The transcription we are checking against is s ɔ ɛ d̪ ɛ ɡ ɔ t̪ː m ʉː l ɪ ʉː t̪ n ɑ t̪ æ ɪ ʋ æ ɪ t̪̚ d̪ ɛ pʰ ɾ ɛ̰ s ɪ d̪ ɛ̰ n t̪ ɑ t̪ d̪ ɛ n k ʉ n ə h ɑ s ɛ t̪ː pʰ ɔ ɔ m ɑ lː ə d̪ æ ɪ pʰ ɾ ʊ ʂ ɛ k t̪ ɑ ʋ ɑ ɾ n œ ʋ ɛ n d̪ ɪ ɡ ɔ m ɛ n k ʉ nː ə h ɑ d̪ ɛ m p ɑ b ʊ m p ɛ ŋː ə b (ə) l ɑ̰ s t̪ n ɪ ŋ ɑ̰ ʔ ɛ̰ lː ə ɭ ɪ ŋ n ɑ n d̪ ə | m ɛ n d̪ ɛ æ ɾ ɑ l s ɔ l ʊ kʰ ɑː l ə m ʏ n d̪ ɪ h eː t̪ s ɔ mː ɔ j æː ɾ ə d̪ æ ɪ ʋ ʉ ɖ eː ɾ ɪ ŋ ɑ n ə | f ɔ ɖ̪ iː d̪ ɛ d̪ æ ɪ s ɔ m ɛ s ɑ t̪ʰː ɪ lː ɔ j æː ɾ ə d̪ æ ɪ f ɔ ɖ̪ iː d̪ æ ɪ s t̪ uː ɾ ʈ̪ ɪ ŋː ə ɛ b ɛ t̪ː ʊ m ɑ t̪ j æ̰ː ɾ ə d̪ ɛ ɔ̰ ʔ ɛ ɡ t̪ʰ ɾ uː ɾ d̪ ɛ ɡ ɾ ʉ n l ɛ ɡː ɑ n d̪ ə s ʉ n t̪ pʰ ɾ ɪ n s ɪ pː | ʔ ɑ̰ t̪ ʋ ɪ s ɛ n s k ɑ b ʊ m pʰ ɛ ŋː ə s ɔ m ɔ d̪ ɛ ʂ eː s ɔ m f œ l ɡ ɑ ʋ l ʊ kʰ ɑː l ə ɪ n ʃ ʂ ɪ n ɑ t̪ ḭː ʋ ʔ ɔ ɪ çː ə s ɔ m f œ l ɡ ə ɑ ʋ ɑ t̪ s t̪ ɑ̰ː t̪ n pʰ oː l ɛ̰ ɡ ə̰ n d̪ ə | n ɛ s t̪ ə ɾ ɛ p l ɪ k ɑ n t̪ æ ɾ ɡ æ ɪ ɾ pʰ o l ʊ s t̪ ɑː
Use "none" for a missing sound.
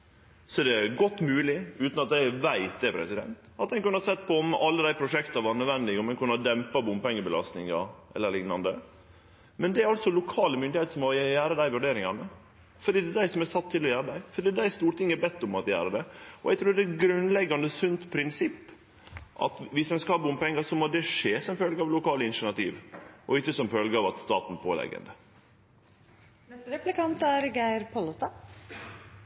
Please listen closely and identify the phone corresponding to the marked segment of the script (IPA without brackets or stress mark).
ə